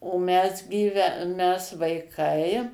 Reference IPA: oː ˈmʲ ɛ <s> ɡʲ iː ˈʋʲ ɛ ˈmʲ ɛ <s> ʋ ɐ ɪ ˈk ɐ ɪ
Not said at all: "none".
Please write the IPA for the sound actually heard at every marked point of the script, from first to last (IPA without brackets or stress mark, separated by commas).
s, s